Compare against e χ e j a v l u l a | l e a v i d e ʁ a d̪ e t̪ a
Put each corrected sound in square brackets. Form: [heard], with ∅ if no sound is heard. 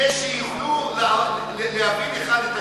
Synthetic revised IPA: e [ʃ] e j [i] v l u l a | l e a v i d e [χ] a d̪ e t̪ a